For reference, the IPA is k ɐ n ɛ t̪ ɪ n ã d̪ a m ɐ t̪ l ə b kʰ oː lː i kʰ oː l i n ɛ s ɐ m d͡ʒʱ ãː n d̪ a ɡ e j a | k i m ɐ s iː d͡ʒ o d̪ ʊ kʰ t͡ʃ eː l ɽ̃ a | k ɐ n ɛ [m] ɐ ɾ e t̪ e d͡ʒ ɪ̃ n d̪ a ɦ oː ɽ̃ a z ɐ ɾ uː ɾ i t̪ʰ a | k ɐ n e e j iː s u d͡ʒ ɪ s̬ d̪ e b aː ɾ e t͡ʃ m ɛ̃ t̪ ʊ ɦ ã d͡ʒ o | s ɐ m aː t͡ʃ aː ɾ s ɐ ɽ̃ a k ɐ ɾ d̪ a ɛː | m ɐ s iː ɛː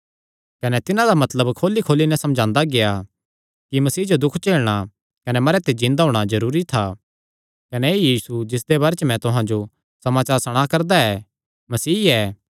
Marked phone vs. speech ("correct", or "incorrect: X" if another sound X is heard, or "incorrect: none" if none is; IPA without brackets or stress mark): correct